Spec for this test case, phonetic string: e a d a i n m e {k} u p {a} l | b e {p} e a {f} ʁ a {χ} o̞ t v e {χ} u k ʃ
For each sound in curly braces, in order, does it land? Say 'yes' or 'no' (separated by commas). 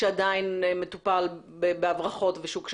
no, yes, no, no, yes, no